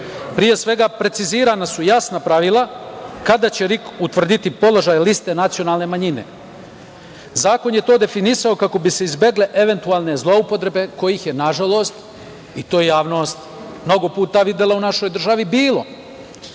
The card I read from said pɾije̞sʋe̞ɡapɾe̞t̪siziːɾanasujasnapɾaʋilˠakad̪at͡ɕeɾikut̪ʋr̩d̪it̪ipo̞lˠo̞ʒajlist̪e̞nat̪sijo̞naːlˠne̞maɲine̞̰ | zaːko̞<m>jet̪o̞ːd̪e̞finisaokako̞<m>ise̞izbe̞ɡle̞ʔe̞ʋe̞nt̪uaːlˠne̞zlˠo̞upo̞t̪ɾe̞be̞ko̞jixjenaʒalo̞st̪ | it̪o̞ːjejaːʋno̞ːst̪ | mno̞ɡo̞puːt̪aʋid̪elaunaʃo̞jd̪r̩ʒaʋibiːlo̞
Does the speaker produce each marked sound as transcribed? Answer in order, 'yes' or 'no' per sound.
no, no

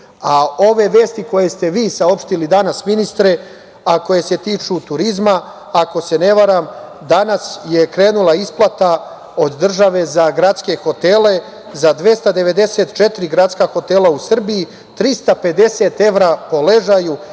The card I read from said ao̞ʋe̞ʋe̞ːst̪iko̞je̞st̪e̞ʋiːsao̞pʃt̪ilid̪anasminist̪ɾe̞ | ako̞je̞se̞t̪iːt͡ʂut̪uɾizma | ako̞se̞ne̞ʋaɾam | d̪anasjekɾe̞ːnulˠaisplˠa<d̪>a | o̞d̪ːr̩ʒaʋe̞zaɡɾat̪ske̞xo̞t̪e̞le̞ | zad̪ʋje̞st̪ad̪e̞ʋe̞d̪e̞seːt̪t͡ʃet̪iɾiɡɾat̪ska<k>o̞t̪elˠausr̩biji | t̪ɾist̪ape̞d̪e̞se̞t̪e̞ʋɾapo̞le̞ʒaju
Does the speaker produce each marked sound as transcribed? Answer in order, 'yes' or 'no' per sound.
no, no

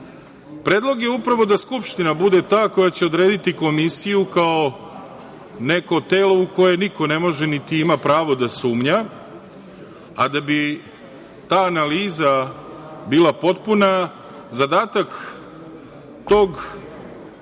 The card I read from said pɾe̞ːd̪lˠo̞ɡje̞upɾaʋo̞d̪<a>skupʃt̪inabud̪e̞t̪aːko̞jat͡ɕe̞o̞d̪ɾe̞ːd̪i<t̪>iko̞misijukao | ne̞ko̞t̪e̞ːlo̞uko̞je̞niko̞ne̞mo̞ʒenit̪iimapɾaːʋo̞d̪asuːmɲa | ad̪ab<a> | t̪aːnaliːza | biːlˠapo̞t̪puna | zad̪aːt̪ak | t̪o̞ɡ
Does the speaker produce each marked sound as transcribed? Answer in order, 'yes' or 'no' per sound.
yes, yes, no

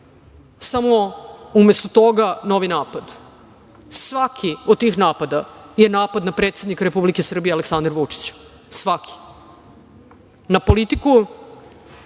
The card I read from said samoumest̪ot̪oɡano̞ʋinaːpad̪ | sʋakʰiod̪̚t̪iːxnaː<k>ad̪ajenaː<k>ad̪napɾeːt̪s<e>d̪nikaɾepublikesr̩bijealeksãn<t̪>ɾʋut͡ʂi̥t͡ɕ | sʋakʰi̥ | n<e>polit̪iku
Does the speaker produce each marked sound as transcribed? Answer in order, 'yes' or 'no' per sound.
no, no, yes, no, no

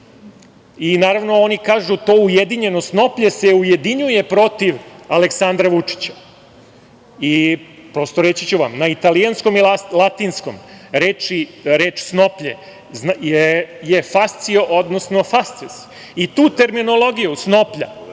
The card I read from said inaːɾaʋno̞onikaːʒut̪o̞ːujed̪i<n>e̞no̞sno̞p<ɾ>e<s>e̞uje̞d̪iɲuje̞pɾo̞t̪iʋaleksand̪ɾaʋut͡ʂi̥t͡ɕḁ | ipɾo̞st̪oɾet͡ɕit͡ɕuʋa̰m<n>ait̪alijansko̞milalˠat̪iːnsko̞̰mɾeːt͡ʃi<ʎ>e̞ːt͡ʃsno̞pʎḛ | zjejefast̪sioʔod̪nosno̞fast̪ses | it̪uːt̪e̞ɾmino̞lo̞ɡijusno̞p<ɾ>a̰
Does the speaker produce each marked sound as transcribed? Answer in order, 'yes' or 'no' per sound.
no, no, yes, yes, no, no

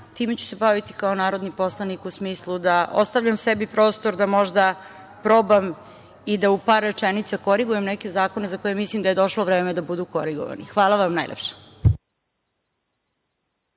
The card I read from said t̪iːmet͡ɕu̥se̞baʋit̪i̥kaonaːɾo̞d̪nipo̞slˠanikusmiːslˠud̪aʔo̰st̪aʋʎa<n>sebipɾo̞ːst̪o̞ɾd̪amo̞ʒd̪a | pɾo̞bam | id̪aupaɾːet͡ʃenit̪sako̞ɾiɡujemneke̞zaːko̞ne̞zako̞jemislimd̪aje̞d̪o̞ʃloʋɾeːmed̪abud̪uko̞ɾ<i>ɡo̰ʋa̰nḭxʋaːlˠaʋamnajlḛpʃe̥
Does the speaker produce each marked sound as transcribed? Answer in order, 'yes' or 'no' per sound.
no, yes

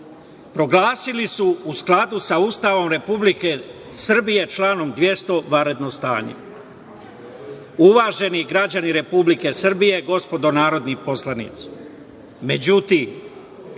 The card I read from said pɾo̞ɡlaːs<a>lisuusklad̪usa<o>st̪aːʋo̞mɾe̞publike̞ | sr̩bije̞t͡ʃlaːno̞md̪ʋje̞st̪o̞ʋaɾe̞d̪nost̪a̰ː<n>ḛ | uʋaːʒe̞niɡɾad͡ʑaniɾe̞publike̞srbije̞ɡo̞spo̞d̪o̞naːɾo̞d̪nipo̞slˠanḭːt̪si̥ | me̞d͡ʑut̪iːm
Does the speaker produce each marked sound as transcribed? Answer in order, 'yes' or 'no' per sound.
no, no, no

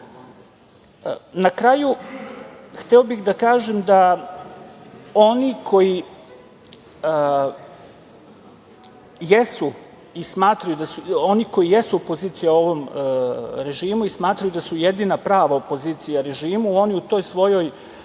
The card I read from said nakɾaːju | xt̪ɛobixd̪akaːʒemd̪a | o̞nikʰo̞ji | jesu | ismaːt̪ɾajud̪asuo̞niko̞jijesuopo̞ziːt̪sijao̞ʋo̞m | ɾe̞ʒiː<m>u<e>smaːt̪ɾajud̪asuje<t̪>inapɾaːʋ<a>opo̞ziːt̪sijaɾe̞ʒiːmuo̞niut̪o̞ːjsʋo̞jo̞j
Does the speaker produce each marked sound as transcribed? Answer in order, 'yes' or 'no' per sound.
yes, no, no, yes

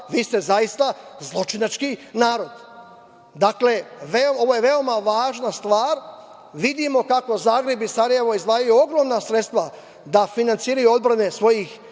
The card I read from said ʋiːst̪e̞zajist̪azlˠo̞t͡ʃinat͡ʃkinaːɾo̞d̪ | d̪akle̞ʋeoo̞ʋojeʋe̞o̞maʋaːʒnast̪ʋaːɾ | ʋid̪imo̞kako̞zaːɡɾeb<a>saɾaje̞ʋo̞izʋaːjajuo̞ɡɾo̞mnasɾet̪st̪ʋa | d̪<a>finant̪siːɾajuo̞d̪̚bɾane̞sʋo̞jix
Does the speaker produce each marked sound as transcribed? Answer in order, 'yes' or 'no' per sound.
no, yes

